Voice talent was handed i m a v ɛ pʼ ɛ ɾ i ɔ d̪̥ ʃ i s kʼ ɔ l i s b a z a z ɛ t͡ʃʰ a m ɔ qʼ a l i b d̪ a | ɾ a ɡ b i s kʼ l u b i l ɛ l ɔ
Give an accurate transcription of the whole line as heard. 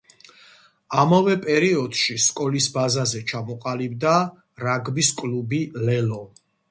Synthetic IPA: a m a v ɛ pʼ ɛ ɾ i ɔ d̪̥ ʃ i s kʼ ɔ l i s b a z a z ɛ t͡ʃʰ a m ɔ qʼ a l i b d̪ a | ɾ a ɡ b i s kʼ l u b i l ɛ l ɔ